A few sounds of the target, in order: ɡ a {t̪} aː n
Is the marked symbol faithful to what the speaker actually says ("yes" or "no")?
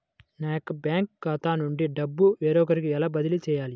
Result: yes